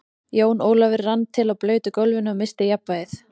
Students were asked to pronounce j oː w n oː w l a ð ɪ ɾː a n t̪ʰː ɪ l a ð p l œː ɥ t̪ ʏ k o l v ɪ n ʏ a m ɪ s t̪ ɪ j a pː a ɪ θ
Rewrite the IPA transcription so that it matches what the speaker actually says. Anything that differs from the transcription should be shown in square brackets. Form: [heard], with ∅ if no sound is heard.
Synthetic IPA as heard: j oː w n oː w l a [v] ɪ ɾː a n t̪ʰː ɪ l a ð p l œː ɥ t̪ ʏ k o l v ɪ n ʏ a m ɪ s t̪ ɪ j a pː a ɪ θ